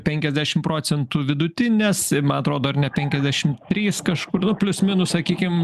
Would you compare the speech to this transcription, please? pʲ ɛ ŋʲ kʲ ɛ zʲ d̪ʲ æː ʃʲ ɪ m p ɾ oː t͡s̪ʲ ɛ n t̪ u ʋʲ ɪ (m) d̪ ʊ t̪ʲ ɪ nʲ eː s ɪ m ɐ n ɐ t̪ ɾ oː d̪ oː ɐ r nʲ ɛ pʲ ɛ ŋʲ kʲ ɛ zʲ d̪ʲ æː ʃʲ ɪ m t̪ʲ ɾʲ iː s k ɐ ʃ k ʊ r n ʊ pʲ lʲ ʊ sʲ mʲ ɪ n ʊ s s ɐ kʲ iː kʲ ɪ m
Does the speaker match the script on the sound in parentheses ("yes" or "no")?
no